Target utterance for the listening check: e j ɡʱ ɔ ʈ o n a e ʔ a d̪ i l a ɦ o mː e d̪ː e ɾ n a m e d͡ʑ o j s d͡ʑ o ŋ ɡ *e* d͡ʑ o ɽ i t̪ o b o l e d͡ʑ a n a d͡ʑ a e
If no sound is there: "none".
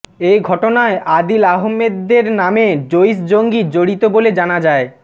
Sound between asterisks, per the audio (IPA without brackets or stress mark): i